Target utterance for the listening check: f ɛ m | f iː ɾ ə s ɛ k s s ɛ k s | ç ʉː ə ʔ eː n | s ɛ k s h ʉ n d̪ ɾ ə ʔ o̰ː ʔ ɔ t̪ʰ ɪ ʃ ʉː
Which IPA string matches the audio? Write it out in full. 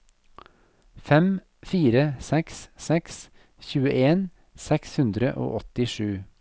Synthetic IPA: f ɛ m | f iː ɾ ə s ɛ k s s ɛ k s | ç ʉː ə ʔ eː n | s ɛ k s h ʉ n d̪ ɾ ə ʔ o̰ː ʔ ɔ t̪ ɪ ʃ ʉː